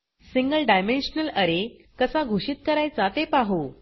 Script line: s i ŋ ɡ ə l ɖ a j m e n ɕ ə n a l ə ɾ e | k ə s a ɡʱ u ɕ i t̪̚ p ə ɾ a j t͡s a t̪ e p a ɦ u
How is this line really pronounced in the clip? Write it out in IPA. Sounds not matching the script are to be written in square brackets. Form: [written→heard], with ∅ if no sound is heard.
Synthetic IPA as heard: s i ŋ ɡ ə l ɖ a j m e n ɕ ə n [a→ə] l ə ɾ e | k ə s a ɡʱ u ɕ i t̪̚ [p→k] ə ɾ a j t͡s a t̪ e p a ɦ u